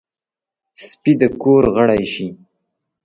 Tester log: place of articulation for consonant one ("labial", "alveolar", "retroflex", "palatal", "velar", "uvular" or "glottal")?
alveolar